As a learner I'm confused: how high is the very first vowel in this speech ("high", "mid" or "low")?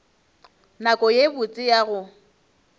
low